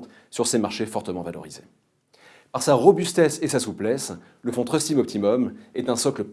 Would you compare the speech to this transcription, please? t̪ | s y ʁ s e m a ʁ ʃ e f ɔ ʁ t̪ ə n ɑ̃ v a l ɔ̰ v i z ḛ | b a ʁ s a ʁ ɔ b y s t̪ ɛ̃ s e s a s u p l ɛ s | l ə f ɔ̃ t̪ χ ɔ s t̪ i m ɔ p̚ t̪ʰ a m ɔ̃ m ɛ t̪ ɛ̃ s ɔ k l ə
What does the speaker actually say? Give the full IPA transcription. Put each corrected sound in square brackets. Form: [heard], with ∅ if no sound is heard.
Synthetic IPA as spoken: t̪ | s y ʁ s e m a ʁ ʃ e f ɔ ʁ t̪ ə [m] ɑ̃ v a l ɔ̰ [ʁ] i z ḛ | [p] a ʁ s a ʁ ɔ b y s t̪ [ɛ] s e s a s u p l ɛ s | l ə f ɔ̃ t̪ χ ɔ s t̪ i m ɔ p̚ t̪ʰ [i] m [ɔ] m ɛ t̪ ɛ̃ s ɔ k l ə